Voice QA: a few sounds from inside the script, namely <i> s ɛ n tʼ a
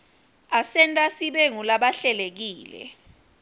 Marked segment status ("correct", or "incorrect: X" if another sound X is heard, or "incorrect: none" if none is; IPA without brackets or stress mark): incorrect: a